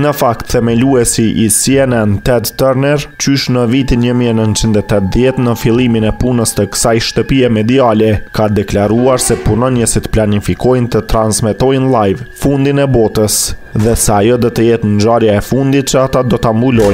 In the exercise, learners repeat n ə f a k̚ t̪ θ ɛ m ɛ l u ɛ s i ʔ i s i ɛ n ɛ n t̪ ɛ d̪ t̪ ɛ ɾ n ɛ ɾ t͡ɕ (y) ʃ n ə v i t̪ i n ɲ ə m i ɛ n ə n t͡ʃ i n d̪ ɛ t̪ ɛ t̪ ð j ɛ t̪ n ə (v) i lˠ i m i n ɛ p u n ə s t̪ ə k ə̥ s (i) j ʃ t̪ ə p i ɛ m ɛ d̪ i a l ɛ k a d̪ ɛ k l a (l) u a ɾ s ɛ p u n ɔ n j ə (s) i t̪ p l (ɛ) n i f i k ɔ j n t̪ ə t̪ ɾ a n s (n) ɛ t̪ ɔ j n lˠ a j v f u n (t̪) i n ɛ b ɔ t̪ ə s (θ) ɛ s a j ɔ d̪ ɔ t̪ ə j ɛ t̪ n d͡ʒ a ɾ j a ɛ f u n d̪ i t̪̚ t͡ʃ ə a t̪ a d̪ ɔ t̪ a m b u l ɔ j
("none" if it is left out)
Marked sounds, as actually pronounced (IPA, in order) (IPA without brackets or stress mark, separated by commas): y, f, a, ɾ, s, a, m, d̪, ð